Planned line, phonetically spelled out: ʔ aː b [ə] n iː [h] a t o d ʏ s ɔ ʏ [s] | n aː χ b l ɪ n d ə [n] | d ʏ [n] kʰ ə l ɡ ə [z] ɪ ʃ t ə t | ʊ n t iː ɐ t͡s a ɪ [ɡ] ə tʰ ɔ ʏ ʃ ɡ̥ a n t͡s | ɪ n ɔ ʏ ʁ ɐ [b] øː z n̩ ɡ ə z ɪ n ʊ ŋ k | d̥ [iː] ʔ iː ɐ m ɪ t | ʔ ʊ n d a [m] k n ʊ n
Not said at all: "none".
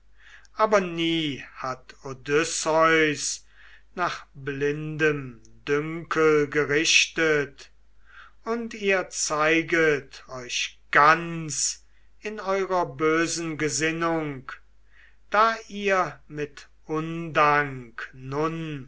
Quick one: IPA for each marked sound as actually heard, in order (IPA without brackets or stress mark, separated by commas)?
ɐ, h, s, m, ŋ, ʁ, ɡ, b, aː, ŋ